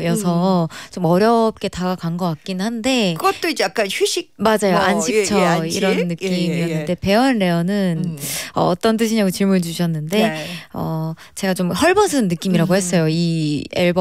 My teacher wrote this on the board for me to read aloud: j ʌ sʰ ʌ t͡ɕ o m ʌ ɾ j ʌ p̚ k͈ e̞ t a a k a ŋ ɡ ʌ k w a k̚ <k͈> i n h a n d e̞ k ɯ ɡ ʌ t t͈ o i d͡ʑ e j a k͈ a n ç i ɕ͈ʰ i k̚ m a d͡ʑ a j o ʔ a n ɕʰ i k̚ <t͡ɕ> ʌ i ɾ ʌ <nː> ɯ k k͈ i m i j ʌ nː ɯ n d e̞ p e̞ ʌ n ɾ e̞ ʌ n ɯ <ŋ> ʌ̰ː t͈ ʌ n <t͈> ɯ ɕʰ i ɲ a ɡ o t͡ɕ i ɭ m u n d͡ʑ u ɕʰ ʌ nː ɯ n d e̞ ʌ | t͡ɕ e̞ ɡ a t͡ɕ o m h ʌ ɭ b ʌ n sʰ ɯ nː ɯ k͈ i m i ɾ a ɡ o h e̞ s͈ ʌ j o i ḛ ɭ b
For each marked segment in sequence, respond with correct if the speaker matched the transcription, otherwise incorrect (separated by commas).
correct, incorrect, correct, incorrect, correct